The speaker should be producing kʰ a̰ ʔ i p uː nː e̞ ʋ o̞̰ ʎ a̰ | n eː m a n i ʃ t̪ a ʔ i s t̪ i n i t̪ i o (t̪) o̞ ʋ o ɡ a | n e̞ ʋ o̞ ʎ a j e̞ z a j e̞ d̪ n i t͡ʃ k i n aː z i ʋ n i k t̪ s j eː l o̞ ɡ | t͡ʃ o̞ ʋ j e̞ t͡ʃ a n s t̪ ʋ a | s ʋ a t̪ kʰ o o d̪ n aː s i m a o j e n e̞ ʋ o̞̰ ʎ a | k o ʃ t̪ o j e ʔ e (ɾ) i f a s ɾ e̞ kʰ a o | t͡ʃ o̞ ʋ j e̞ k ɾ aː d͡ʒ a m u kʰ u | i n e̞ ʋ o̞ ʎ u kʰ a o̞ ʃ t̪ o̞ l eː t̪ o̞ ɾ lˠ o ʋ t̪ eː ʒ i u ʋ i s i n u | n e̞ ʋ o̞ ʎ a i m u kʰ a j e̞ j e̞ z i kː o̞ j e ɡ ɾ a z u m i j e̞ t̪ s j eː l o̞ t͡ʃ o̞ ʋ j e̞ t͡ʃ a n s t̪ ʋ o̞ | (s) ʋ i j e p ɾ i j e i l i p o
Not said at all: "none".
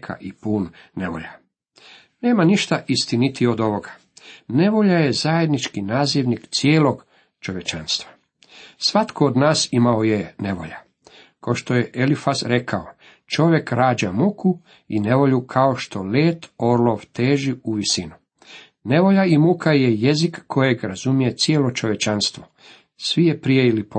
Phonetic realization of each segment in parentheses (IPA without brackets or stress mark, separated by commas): d̪, l, s